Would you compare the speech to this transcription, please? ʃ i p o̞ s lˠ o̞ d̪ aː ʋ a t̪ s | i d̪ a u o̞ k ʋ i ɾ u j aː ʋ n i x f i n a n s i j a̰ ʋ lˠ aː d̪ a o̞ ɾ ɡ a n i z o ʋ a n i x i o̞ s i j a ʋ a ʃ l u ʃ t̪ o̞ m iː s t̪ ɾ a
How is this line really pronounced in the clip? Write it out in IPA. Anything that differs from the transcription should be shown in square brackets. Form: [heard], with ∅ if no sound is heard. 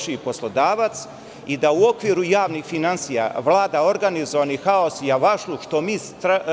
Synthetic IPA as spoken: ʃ i p o̞ s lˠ o̞ d̪ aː ʋ a t̪ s | i d̪ a u o̞ k ʋ i ɾ u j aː ʋ n i x f i n a n s i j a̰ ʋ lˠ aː d̪ a o̞ ɾ ɡ a n i z o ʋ a n i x [a] o̞ s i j a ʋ a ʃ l u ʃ t̪ o̞ m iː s t̪ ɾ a

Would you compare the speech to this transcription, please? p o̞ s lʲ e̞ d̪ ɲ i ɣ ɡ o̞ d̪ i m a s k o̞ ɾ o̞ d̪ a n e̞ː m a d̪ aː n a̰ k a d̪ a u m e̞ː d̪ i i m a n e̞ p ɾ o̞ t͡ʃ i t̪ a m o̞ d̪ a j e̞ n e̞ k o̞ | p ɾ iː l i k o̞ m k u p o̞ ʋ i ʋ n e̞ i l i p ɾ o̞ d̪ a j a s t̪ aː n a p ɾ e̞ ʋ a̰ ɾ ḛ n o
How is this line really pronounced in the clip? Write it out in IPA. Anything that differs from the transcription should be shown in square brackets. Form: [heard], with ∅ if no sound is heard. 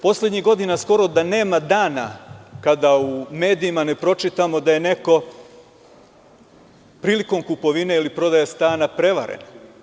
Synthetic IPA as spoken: p o̞ s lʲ e̞ d̪ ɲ i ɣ ɡ o̞ d̪ i [n] a s k o̞ ɾ o̞ d̪ a n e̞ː m a d̪ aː n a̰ k a d̪ a u m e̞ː d̪ i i m a n e̞ p ɾ o̞ t͡ʃ i t̪ a m o̞ d̪ a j e̞ n e̞ k o̞ | p ɾ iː l i k o̞ m k u p o̞ ʋ i [∅] n e̞ i l i p ɾ o̞ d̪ a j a s t̪ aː n a p ɾ e̞ ʋ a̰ ɾ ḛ n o

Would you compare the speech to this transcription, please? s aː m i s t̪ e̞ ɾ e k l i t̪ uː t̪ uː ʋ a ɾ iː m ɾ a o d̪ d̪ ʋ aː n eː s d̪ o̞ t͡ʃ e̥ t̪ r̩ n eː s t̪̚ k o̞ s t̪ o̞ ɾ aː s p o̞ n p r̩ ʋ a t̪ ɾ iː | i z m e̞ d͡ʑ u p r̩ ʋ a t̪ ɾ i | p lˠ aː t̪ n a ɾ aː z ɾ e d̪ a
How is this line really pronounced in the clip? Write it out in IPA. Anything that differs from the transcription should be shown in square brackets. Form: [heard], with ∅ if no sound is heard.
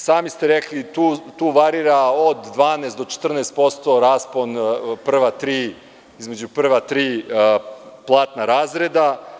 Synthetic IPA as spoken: s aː m i s t̪ e̞ ɾ e k l i t̪ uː t̪ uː ʋ a ɾ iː [∅] ɾ a o d̪ d̪ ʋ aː n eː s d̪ o̞ t͡ʃ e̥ t̪ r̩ n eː s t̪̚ [p] o̞ s t̪ o̞ ɾ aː s p o̞ n p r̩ ʋ a t̪ ɾ iː | i z m e̞ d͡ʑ u p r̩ ʋ a t̪ ɾ [iː] | p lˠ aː t̪ n a ɾ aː z ɾ e d̪ a

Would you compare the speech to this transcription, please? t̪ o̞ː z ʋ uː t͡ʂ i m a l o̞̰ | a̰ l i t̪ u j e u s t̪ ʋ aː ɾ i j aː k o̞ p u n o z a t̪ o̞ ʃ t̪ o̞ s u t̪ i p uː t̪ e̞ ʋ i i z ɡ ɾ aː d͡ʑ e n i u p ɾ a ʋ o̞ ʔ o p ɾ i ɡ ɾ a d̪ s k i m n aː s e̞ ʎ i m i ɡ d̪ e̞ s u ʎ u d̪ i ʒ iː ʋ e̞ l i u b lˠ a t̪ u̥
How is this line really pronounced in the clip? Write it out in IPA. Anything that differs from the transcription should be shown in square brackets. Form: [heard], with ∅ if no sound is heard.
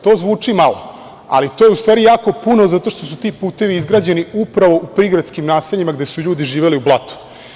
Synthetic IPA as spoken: t̪ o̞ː z ʋ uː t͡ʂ i m a l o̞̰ | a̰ l i t̪ [o] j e u s t̪ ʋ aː ɾ i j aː k o̞ p u n o z a t̪ o̞ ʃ t̪ o̞ s u t̪ i p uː t̪ e̞ ʋ i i z ɡ ɾ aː d͡ʑ e n i u p ɾ a ʋ o̞ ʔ [u] p ɾ i ɡ ɾ a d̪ s k i m n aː s e̞ ʎ i m [a] ɡ d̪ e̞ s u ʎ [uː] d̪ i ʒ iː ʋ e̞ l i u b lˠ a t̪ u̥

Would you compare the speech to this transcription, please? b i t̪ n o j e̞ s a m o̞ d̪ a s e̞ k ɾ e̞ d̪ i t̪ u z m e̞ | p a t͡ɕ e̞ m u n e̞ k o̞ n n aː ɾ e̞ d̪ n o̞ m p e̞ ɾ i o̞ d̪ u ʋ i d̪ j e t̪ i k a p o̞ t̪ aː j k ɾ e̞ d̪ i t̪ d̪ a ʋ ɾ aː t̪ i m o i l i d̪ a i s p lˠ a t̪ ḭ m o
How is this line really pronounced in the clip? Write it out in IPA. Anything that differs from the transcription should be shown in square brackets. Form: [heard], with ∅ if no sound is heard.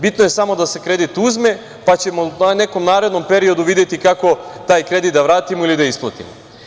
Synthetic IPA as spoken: b i t̪ n o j e̞ s a m o̞ d̪ a s e̞ k ɾ e̞ d̪ i t̪ u z m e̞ | p a t͡ɕ e̞ m [o] n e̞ k o̞ [m] n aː ɾ e̞ d̪ n o̞ m p e̞ ɾ i o̞ d̪ u ʋ i d̪ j e t̪ i k a [k] o̞ t̪ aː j k ɾ e̞ d̪ i t̪ d̪ a ʋ ɾ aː t̪ i m o i l i d̪ a i s p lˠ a t̪ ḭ m o

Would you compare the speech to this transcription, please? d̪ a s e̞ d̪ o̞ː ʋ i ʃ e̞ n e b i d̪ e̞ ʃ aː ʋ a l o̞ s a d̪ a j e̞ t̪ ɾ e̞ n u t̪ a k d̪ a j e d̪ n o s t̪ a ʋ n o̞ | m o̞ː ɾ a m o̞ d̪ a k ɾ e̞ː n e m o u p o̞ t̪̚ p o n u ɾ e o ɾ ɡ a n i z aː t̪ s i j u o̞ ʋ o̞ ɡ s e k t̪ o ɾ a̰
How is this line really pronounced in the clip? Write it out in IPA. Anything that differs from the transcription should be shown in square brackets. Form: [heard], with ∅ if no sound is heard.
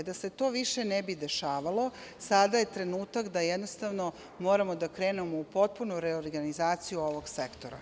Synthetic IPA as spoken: d̪ a s e̞ [t̪] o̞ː ʋ i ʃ e̞ n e b i d̪ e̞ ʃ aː ʋ a l o̞ s a d̪ a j e̞ t̪ ɾ e̞ n [uː] t̪ a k d̪ a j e d̪ n o s t̪ a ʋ n o̞ | m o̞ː ɾ a m o̞ d̪ a k ɾ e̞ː n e m o u p o̞ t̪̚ p [u] n u ɾ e o ɾ ɡ a n i z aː t̪ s i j u o̞ ʋ o̞ ɡ s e k t̪ o ɾ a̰

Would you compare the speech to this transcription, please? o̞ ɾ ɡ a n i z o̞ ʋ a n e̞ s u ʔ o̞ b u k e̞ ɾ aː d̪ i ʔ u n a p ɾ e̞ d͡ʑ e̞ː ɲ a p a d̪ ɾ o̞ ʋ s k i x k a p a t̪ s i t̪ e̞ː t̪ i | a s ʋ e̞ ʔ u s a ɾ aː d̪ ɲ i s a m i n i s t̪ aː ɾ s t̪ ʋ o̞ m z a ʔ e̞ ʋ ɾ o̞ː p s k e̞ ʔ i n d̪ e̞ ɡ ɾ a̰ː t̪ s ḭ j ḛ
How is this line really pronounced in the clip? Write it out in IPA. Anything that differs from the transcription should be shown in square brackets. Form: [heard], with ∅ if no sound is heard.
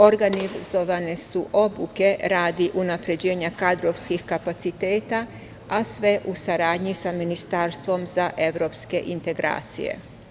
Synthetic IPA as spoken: o̞ ɾ ɡ a n i z o̞ ʋ a n e̞ s u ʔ o̞ b u k e̞ ɾ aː d̪ i ʔ u n a p ɾ e̞ d͡ʑ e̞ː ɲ a [k] a d̪ ɾ o̞ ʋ s k i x k a p a t̪ s i t̪ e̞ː t̪ [a] | a s ʋ e̞ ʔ u s a ɾ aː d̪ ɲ i s a m i n i s t̪ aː ɾ s t̪ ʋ o̞ m z a ʔ e̞ ʋ ɾ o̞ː p s k e̞ ʔ i n [t̪] e̞ ɡ ɾ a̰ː t̪ s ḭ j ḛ

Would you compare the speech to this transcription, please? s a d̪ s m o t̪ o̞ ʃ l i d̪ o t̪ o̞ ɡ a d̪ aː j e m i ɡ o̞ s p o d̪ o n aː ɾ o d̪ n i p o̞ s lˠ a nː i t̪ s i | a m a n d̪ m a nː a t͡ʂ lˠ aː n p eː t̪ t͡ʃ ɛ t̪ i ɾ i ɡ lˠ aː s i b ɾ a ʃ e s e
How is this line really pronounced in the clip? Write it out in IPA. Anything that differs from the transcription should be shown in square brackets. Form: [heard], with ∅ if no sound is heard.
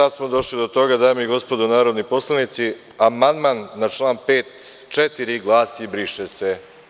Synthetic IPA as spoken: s a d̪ s m o [d̪] o̞ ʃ l i d̪ o t̪ o̞ ɡ a d̪ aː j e m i ɡ o̞ s p o d̪ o n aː ɾ o d̪ n i p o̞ s lˠ a [n] i t̪ s i | a m a n d̪ m a nː a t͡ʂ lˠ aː n p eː t̪ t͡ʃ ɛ t̪ i ɾ i ɡ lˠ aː s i b ɾ [i] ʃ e s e

